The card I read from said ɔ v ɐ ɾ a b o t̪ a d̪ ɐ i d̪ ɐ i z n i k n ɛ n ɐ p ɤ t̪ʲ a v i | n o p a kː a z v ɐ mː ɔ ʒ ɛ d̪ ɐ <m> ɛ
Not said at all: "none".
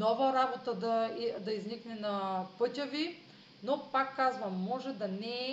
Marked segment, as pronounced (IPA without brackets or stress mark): n